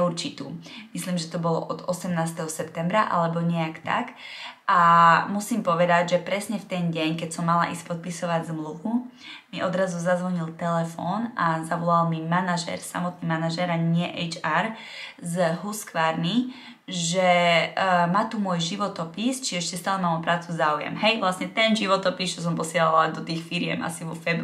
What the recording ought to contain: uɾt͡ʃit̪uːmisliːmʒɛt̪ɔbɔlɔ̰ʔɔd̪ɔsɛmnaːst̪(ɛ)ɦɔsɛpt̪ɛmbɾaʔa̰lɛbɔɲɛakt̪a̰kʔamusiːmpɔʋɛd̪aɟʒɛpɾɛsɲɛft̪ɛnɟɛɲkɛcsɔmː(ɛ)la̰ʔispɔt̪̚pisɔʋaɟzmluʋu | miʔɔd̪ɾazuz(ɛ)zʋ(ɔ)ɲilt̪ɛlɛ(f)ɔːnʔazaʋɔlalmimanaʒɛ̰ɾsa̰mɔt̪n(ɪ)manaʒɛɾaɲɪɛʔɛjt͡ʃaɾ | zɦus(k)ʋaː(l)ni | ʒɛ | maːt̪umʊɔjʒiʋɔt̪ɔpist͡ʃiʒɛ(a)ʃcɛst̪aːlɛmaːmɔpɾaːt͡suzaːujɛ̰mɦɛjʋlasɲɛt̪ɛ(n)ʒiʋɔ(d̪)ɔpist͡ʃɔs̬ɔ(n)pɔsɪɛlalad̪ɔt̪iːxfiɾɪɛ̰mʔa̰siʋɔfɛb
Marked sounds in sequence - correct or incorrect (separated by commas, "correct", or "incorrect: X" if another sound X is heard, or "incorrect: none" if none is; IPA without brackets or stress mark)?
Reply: correct, incorrect: a, incorrect: a, correct, correct, incorrect: i, correct, incorrect: ɾ, incorrect: ɛ, correct, incorrect: t̪, incorrect: m